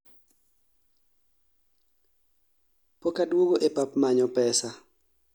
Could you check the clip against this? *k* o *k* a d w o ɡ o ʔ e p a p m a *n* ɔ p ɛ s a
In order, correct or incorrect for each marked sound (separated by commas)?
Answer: incorrect, correct, incorrect